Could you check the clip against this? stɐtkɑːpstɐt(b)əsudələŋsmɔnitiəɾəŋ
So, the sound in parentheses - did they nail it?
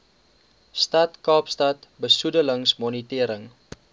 yes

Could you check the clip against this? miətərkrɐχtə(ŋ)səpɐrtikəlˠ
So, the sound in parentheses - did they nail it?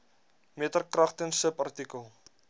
no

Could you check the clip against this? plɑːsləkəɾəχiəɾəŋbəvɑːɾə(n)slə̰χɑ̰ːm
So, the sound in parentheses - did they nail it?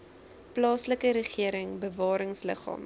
no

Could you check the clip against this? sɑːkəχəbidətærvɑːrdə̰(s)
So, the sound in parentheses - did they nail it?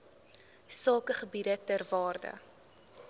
no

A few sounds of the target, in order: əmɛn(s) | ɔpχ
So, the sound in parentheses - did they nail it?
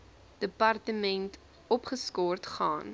no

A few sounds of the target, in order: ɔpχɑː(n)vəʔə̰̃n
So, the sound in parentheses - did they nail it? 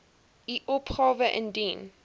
no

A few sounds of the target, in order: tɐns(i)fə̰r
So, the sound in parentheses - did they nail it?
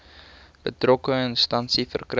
yes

